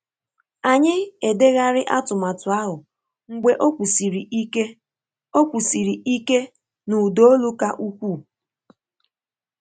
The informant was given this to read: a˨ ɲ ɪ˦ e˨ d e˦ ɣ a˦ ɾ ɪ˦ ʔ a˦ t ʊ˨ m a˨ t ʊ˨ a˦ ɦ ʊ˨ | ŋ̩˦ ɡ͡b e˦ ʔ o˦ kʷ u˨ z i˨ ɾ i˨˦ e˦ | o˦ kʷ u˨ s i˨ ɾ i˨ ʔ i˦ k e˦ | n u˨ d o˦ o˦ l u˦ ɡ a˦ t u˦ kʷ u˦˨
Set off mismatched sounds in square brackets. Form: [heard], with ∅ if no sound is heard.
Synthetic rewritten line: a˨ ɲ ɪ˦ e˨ d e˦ ɣ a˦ ɾ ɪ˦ ʔ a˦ t ʊ˨ m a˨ t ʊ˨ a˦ ɦ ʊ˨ | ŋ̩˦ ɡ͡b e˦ ʔ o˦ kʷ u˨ [s] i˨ ɾ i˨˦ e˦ | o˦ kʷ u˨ s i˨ ɾ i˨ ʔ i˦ k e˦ | n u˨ d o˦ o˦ l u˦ [k] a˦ [ʔ] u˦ kʷ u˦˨